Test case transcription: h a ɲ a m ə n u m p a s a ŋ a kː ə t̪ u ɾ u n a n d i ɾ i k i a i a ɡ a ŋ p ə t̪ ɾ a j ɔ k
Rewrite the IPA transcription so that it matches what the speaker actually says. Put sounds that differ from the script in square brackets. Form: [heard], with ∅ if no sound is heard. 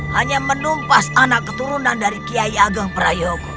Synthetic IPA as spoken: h a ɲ a m ə n u m p a s a [n] a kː ə t̪ u ɾ u n a n d [a] ɾ i k i a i a ɡ a ŋ p ə [∅] ɾ a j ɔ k